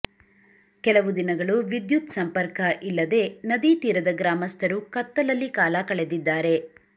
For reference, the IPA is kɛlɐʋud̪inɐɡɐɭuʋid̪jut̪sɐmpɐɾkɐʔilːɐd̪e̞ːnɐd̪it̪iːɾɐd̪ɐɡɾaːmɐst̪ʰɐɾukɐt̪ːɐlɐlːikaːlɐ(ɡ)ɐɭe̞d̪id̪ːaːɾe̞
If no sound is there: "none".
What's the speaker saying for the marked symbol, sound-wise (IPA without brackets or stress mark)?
k